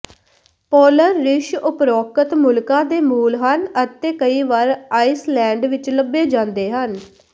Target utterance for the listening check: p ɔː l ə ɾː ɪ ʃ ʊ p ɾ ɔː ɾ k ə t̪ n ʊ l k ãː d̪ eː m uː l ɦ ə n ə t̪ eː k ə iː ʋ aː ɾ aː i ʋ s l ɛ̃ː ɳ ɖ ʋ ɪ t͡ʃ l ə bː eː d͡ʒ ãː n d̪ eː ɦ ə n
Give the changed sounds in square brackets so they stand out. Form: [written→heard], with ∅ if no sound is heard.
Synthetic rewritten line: p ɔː l ə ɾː ɪ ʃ ʊ p ɾ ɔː [ɾ→∅] k ə t̪ [n→m] ʊ l k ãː d̪ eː m uː l ɦ ə n ə t̪ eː k ə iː ʋ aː ɾ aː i [ʋ→∅] s l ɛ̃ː ɳ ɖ ʋ ɪ t͡ʃ l ə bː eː d͡ʒ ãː n d̪ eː ɦ ə n

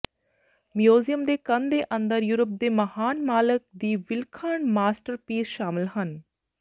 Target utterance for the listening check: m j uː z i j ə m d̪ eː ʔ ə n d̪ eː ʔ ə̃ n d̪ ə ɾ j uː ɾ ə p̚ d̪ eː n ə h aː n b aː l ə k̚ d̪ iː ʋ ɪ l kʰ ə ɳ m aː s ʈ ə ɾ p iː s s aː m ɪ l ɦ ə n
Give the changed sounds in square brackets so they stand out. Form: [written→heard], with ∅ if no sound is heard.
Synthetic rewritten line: m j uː z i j ə m d̪ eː [ʔ→k] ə n d̪ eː ʔ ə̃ n d̪ ə ɾ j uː ɾ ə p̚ d̪ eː [n→m] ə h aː n [b→m] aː l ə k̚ d̪ iː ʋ ɪ l kʰ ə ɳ m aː s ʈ ə ɾ p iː s [s→ʃ] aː m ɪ l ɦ ə n

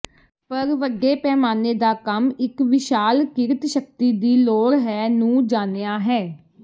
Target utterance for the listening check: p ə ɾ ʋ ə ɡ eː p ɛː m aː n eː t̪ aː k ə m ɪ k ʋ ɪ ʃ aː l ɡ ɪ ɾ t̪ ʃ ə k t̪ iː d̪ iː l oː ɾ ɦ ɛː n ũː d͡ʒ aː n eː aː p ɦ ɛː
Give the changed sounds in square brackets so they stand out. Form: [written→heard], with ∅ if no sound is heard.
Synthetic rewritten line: p ə ɾ ʋ ə ɡ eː p ɛː m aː n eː [t̪→d̪] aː k ə m ɪ k ʋ ɪ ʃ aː l [ɡ→k] ɪ ɾ t̪ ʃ ə k t̪ iː d̪ iː l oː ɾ ɦ ɛː n ũː d͡ʒ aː n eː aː [p→∅] ɦ ɛː

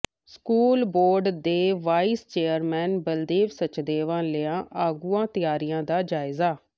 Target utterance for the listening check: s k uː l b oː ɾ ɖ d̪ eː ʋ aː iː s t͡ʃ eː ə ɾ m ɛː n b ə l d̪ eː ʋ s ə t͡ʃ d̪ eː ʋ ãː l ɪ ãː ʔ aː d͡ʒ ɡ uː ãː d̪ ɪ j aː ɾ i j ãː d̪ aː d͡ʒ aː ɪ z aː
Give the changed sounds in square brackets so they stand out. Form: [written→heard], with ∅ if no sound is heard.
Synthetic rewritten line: s k uː l b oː ɾ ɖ d̪ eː ʋ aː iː s t͡ʃ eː ə ɾ m ɛː n b ə l d̪ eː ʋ s ə t͡ʃ d̪ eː ʋ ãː l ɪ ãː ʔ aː [d͡ʒ→∅] ɡ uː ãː [d̪→t̪] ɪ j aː ɾ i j ãː d̪ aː d͡ʒ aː ɪ z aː

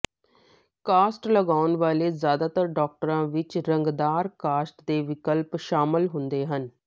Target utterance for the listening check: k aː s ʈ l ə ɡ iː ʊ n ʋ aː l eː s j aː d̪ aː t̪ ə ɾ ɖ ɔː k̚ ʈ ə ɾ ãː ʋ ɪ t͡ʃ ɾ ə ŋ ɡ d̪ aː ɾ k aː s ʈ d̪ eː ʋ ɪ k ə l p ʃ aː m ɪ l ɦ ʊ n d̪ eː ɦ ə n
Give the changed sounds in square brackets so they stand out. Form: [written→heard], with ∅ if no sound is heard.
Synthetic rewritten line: k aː s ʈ l ə ɡ [iː→aː] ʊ n ʋ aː l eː [s→z] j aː d̪ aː t̪ ə ɾ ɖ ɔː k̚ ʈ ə ɾ ãː ʋ ɪ t͡ʃ ɾ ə ŋ ɡ d̪ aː ɾ k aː s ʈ d̪ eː ʋ ɪ k ə l p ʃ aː m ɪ l ɦ ʊ n d̪ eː ɦ ə n

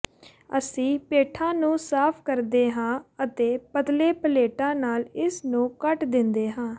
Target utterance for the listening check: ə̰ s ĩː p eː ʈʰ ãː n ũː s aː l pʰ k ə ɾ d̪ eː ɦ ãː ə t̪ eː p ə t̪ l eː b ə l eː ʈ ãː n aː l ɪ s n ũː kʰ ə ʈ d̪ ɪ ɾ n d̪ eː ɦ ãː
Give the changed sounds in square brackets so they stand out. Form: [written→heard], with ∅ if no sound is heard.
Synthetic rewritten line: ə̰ s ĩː p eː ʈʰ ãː n ũː s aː [l→∅] pʰ k ə ɾ d̪ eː ɦ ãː ə t̪ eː p ə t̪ l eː [b→p] ə l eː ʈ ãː n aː l ɪ s n ũː [kʰ→k] ə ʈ d̪ ɪ [ɾ→∅] n d̪ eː ɦ ãː

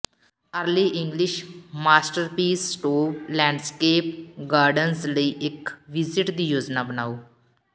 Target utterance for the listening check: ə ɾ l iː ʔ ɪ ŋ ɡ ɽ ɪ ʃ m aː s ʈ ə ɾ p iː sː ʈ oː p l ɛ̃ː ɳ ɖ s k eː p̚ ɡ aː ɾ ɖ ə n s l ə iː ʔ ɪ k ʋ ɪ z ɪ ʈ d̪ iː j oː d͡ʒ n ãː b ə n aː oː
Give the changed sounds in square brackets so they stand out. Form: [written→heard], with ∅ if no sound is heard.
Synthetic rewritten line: ə ɾ l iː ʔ ɪ ŋ ɡ [ɽ→l] ɪ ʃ m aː s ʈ ə ɾ p iː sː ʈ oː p l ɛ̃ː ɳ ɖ s k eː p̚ ɡ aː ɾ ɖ ə n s l ə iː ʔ ɪ k ʋ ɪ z ɪ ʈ d̪ iː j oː d͡ʒ n [ãː→aː] b ə n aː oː

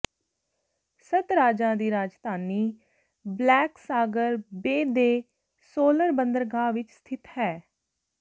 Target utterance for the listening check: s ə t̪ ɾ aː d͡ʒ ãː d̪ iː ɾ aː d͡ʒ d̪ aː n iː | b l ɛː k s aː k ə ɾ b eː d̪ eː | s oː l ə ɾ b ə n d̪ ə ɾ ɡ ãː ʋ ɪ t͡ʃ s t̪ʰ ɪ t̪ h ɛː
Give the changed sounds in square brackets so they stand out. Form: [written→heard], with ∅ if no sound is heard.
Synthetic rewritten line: s ə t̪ ɾ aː d͡ʒ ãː d̪ iː ɾ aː d͡ʒ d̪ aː n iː | b l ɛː k s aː [k→ɡ] ə ɾ b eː d̪ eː | s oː l ə ɾ b ə n d̪ ə ɾ ɡ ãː ʋ ɪ t͡ʃ s t̪ʰ ɪ t̪ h ɛː

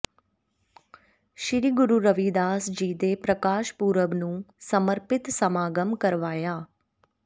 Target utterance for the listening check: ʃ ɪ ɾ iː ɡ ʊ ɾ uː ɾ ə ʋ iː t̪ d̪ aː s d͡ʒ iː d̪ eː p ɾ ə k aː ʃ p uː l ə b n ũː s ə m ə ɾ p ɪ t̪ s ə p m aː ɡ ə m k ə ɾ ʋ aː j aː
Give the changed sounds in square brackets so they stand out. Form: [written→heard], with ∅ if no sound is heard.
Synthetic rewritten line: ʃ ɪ ɾ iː ɡ ʊ ɾ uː ɾ ə ʋ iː [t̪→∅] d̪ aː s d͡ʒ iː d̪ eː p ɾ ə k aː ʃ p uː [l→ɾ] ə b n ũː s ə m ə ɾ p ɪ t̪ s ə [p→∅] m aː ɡ ə m k ə ɾ ʋ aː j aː

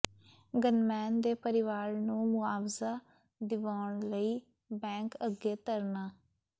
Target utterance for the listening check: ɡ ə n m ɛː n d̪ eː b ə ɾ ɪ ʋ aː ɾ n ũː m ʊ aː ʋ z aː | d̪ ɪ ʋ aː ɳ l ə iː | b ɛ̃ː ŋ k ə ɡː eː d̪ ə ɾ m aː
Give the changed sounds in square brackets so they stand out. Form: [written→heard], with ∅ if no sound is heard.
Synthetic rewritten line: ɡ ə n m ɛː n d̪ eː [b→p] ə ɾ ɪ ʋ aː ɾ n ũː m ʊ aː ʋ z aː | d̪ ɪ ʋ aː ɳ l ə iː | b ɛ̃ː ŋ k ə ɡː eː [d̪→t̪] ə ɾ [m→n] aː

